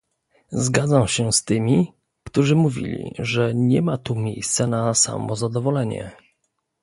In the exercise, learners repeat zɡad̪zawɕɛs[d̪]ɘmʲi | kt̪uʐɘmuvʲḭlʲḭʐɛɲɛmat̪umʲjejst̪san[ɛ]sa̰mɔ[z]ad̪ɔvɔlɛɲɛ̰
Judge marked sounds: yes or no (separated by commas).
no, no, yes